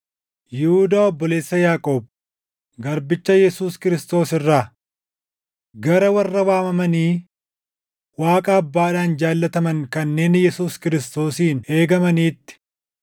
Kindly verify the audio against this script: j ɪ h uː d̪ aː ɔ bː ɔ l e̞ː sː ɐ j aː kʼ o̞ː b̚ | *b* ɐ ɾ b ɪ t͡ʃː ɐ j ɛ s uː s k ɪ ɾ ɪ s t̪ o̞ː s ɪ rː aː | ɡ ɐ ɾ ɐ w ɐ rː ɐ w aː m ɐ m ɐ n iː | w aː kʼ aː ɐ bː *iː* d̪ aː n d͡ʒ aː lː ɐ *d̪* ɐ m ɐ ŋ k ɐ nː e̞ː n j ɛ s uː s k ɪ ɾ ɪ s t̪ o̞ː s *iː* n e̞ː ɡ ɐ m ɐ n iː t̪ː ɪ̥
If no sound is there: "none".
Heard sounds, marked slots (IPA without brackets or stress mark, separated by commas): ɡ, aː, t̪, iː